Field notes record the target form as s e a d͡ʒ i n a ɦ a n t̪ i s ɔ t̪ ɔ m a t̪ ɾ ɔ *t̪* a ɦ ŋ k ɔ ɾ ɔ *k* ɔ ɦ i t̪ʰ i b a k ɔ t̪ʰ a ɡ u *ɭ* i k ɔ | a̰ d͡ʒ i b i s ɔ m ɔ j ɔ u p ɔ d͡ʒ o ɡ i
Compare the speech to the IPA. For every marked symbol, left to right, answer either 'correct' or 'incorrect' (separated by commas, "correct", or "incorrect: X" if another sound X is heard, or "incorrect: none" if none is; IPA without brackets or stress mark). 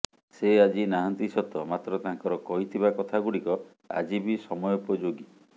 correct, correct, incorrect: ɽ